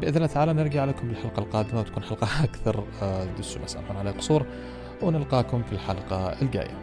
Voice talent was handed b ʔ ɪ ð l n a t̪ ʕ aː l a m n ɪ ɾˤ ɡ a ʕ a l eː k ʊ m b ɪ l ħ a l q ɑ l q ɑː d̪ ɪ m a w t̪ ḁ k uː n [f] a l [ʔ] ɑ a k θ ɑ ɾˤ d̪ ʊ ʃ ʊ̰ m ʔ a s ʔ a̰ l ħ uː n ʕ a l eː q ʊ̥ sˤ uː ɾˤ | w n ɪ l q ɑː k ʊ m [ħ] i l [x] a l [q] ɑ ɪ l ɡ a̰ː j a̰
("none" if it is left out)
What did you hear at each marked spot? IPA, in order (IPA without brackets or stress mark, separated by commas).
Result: ħ, q, f, ħ, q